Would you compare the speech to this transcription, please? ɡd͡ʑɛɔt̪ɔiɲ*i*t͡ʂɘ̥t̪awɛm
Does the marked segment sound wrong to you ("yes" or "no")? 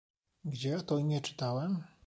yes